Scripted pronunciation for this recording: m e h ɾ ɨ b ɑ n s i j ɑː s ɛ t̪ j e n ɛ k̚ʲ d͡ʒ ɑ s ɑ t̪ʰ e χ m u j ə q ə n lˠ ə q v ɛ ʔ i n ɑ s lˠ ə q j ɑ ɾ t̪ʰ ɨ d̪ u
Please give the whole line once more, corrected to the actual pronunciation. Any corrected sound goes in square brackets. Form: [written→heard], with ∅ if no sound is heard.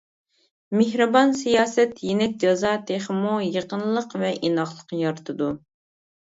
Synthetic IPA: m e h ɾ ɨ b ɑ n s i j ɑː s ɛ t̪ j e n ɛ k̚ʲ d͡ʒ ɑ [s→z] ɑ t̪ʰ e χ m u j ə q ə n lˠ ə q v ɛ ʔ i n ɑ [s→χ] lˠ ə q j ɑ ɾ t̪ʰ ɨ d̪ u